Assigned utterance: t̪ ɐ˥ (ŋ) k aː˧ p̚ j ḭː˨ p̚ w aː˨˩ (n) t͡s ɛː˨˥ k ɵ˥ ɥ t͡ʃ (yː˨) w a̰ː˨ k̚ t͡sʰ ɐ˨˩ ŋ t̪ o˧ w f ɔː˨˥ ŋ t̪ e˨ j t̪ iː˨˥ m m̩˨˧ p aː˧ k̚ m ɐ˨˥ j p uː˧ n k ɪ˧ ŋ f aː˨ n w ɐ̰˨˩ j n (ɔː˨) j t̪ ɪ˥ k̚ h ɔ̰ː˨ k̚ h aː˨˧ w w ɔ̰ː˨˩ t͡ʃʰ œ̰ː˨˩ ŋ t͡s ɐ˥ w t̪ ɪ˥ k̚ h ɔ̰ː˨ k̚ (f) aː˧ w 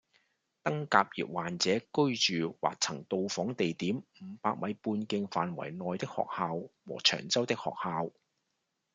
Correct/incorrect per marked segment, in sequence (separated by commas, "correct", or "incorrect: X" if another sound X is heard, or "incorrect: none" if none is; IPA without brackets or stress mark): correct, correct, correct, correct, incorrect: h